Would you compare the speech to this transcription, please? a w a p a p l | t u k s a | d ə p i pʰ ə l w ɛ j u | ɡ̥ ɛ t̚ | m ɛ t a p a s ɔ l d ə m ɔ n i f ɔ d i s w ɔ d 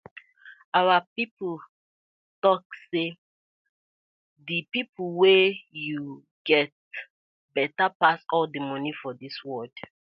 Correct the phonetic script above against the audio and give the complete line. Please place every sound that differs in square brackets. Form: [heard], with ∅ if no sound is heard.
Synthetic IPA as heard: a w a p [i] p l | t [ɔ] k s [e] | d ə p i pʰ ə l w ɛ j u | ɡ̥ ɛ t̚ | [b] ɛ t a p a s ɔ l d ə m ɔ n i f ɔ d i s w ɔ d